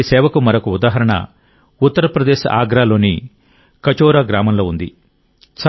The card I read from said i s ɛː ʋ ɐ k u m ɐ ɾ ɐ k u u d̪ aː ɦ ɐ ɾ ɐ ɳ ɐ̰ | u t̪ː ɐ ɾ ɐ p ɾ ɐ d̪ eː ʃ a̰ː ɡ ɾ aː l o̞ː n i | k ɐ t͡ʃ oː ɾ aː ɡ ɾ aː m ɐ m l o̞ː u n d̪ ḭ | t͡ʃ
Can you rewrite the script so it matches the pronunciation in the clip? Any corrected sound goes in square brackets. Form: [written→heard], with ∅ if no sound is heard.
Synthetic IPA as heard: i s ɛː ʋ ɐ k u m ɐ ɾ ɐ k u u d̪ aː ɦ ɐ ɾ ɐ ɳ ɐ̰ | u t̪ː ɐ ɾ ɐ p ɾ ɐ d̪ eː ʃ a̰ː ɡ ɾ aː l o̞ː n i | k ɐ t͡ʃ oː ɾ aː ɡ ɾ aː m ɐ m l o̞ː u n d̪ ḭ | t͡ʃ